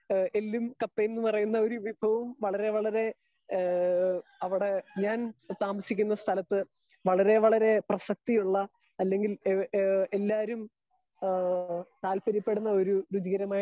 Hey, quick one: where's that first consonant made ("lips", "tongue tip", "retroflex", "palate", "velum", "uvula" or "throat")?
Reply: tongue tip